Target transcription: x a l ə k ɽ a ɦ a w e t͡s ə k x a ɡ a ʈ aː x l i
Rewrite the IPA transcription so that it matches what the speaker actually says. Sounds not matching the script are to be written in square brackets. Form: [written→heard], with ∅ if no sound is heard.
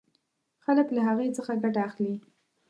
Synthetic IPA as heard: x a l ə k [ɽ→l] a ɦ a [w→ɣ] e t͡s ə [k→∅] x a ɡ a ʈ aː x l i